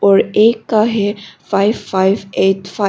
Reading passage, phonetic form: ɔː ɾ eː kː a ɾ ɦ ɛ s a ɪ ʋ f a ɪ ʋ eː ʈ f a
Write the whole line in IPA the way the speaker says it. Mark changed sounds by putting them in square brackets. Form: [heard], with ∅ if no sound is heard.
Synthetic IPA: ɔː ɾ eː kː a [∅] ɦ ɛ [f] a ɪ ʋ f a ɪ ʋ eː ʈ f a

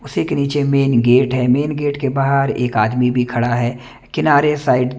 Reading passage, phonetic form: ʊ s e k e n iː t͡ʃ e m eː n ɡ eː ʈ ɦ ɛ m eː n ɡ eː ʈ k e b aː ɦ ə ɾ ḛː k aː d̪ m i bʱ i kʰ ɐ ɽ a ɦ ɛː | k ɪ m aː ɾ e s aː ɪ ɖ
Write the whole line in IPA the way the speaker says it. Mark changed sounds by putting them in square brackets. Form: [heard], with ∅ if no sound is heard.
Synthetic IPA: ʊ s e k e n iː t͡ʃ e m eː n ɡ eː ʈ ɦ ɛ m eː n ɡ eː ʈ k e b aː ɦ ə ɾ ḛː k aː d̪ m i bʱ i kʰ ɐ ɽ a ɦ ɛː | k ɪ [n] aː ɾ e s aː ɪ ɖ

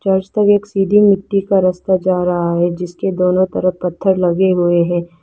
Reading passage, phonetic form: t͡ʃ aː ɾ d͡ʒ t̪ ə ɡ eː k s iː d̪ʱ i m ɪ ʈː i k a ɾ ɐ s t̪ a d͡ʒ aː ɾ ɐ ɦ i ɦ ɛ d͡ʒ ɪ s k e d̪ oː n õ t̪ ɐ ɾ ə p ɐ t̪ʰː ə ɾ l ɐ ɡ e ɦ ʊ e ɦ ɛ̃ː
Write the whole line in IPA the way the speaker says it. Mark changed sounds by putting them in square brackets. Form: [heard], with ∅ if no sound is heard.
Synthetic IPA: t͡ʃ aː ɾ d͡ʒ t̪ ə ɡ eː k s iː d̪ʱ i m ɪ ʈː i k a ɾ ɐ s t̪ a d͡ʒ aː ɾ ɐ ɦ [a] ɦ ɛ d͡ʒ ɪ s k e d̪ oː n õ t̪ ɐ ɾ ə p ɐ t̪ʰː ə ɾ l ɐ ɡ e ɦ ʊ e ɦ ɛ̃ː

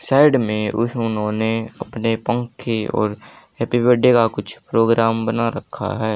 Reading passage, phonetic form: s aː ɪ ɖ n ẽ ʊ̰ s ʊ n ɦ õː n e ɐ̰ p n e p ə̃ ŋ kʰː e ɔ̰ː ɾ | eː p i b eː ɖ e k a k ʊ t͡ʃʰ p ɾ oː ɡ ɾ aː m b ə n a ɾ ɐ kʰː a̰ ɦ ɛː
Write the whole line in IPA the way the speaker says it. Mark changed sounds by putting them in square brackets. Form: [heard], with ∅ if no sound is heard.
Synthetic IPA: s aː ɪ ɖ [m] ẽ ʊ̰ s ʊ n ɦ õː n e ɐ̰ p n e p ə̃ ŋ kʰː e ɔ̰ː ɾ | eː p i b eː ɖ e k a k ʊ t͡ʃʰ p ɾ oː ɡ ɾ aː m b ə n a ɾ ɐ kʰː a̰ ɦ ɛː

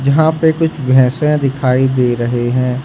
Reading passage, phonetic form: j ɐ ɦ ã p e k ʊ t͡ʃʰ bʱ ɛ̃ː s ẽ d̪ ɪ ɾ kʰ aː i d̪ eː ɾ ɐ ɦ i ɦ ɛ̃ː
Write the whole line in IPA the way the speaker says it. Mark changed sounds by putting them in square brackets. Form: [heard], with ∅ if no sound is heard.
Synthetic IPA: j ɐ ɦ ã p e k ʊ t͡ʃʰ bʱ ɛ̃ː s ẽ d̪ ɪ [∅] kʰ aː i d̪ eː ɾ ɐ ɦ [e] ɦ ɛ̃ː

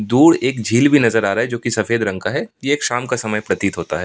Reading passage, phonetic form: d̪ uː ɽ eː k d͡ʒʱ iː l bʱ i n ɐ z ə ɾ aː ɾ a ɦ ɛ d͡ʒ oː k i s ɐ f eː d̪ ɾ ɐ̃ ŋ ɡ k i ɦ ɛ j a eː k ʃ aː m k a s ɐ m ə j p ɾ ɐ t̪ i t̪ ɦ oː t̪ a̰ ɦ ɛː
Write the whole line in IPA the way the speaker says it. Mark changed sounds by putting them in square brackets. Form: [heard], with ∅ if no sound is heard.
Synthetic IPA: d̪ uː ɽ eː k d͡ʒʱ iː l bʱ i n ɐ z ə ɾ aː ɾ a ɦ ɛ d͡ʒ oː k i s ɐ f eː d̪ ɾ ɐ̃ ŋ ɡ k [a] ɦ ɛ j [e] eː k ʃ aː m k a s ɐ m ə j p ɾ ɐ t̪ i t̪ ɦ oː t̪ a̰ ɦ ɛː

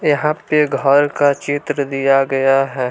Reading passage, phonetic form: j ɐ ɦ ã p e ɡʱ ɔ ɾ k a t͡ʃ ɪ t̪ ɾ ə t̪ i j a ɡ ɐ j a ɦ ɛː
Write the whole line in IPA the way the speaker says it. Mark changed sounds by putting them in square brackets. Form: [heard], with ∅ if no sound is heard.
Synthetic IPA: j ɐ ɦ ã p e ɡʱ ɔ ɾ k a t͡ʃ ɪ t̪ ɾ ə [d̪] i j a ɡ ɐ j a ɦ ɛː

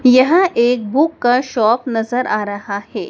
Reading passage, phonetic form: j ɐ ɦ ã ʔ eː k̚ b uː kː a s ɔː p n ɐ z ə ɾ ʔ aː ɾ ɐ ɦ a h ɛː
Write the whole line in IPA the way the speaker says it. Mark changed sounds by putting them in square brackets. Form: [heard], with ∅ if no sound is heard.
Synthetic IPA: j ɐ ɦ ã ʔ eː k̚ b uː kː a [ʃ] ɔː p n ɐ z ə ɾ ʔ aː ɾ ɐ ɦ a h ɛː

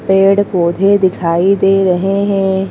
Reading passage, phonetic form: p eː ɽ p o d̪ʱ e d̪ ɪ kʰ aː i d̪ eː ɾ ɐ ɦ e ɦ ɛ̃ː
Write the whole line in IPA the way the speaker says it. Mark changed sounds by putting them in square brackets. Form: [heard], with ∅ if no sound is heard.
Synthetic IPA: p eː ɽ [k] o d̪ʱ e d̪ ɪ kʰ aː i d̪ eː ɾ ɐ ɦ e ɦ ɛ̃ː

